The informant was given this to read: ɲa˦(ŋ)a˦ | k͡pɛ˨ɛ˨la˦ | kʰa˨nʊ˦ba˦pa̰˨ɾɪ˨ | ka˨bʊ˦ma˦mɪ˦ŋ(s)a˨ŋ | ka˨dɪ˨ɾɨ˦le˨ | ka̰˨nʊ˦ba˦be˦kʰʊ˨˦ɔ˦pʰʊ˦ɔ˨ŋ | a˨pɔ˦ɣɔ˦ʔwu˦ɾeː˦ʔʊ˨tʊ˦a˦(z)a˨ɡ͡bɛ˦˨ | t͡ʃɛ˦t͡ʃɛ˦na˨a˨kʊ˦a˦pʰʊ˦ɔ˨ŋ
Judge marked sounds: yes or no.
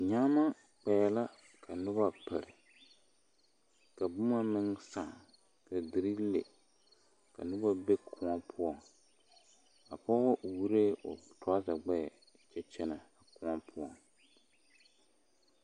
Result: no, yes, yes

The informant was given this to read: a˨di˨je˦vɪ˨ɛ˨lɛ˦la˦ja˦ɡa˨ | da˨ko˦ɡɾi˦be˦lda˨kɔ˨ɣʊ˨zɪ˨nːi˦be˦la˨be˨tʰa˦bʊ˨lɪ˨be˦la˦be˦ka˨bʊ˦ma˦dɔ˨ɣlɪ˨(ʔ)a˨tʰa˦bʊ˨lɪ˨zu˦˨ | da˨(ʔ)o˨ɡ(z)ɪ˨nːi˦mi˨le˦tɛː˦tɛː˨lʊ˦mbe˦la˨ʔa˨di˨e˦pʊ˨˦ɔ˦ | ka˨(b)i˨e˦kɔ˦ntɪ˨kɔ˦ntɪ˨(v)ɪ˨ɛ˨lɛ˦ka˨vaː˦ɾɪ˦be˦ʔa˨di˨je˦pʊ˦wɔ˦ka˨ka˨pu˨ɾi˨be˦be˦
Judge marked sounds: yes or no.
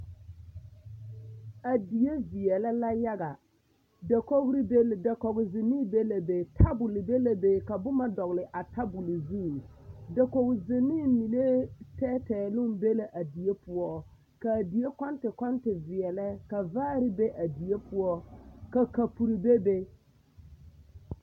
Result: yes, no, yes, no, yes

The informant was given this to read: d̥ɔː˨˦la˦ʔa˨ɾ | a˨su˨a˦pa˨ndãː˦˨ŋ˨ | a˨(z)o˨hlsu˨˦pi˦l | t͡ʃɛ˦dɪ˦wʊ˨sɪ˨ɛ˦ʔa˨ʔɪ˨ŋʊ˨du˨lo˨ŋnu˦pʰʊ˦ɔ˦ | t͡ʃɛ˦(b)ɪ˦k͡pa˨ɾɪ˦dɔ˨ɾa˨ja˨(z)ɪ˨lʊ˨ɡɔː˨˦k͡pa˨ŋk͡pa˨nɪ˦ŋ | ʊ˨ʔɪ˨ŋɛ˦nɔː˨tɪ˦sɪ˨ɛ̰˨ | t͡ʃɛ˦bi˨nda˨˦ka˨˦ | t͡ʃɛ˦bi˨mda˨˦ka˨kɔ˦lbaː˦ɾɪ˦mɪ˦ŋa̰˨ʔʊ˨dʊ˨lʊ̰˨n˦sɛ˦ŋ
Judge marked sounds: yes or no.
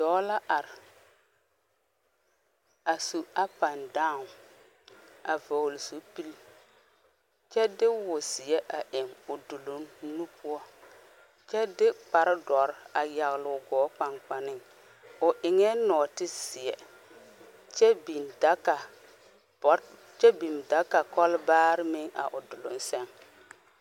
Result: no, no, no

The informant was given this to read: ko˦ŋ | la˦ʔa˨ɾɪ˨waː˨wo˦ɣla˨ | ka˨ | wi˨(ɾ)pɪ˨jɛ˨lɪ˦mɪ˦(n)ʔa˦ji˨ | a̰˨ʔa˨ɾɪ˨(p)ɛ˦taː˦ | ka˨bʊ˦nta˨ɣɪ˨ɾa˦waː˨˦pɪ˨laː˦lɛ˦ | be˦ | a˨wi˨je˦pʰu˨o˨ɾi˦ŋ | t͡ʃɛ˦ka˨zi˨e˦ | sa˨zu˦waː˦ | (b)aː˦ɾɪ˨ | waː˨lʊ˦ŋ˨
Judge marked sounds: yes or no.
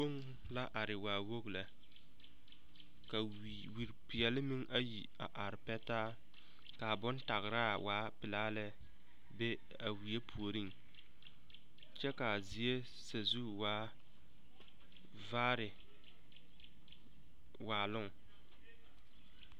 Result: yes, no, yes, no

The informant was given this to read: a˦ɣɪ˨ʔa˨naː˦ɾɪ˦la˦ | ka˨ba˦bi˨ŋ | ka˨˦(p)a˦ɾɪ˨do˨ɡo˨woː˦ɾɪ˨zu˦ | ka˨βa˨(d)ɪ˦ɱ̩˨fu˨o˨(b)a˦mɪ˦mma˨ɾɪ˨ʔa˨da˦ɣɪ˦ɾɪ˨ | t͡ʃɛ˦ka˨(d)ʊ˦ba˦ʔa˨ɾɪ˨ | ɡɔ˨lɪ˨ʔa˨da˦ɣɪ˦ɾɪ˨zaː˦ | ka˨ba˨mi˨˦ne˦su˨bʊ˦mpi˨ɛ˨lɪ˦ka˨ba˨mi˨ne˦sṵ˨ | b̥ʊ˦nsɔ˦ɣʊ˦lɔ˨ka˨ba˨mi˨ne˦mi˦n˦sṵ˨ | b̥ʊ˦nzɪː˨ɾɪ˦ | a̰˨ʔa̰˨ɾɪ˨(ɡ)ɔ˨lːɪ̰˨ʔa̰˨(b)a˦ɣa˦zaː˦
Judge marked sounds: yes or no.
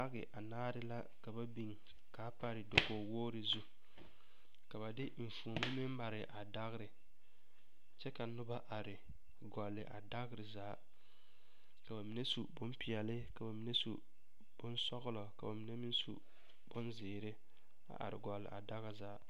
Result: yes, yes, no, no, yes, no

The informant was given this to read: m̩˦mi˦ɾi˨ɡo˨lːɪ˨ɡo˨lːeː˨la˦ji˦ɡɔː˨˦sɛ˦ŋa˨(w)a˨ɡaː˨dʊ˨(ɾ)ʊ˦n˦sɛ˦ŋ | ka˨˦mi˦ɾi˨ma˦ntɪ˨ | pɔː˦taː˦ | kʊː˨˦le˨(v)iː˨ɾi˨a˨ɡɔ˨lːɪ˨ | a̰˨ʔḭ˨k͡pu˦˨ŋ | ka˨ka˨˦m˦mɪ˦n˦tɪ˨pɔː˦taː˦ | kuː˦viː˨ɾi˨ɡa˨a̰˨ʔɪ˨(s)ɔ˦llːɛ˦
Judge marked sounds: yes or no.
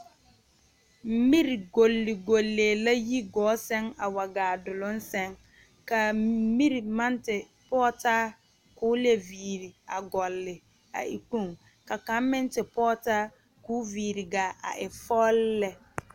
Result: yes, no, yes, no

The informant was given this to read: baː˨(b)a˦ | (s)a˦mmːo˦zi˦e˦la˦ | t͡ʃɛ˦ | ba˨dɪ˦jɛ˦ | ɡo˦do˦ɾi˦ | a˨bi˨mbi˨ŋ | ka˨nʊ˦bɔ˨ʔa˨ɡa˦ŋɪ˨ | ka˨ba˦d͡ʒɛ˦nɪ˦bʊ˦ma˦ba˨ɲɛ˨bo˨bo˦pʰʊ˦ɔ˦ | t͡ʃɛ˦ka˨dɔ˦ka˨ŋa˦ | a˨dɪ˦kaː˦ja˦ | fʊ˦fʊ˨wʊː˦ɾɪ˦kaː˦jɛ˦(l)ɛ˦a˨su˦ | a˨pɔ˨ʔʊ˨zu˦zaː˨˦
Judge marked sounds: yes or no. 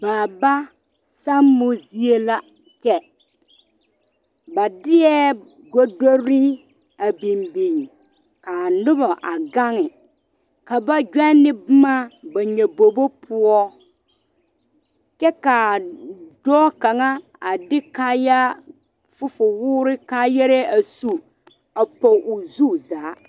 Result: yes, yes, no

